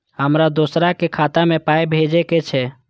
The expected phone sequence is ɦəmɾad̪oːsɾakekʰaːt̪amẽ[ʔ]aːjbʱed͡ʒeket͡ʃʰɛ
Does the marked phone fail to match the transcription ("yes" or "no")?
yes